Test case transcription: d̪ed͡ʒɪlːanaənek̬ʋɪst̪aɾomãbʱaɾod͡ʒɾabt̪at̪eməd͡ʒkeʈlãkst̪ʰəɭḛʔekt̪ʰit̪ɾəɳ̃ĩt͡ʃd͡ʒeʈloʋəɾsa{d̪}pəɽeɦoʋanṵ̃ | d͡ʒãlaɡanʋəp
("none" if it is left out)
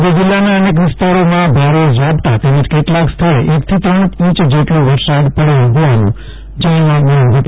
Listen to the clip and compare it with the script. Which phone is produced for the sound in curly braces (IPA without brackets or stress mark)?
d̪